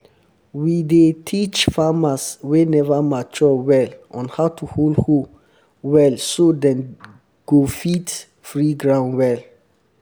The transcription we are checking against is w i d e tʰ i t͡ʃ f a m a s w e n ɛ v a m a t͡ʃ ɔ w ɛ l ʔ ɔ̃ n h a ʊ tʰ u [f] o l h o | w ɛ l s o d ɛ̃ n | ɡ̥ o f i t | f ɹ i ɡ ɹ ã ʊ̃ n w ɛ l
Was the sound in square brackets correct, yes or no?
no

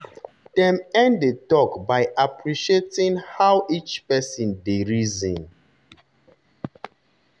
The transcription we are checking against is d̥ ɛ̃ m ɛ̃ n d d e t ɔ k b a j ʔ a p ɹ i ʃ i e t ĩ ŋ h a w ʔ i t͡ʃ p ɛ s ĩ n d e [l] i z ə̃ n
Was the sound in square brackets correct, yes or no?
no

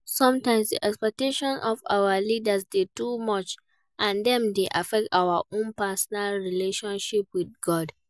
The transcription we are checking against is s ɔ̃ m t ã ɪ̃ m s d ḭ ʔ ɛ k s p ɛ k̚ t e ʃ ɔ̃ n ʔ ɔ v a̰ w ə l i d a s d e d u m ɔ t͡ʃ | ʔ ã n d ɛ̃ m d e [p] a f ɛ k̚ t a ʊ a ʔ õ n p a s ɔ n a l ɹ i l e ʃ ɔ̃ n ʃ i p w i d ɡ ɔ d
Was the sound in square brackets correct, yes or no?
no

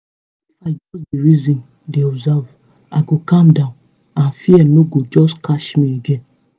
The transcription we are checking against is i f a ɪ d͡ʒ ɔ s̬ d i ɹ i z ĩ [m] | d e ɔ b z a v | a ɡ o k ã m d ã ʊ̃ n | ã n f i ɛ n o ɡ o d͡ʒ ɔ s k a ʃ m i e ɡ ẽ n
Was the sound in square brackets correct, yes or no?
no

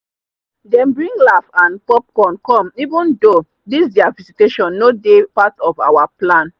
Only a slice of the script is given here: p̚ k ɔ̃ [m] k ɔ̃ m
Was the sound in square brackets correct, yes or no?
no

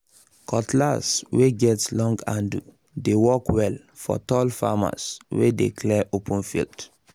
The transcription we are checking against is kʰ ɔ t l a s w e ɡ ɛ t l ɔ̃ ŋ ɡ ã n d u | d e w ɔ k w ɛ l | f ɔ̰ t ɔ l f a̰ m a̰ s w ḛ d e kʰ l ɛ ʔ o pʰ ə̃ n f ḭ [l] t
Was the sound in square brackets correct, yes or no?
yes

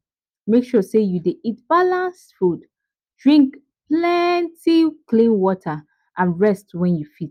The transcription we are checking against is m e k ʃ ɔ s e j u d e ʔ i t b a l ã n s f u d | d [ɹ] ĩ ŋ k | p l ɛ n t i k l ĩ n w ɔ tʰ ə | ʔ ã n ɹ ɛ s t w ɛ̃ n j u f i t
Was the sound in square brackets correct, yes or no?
yes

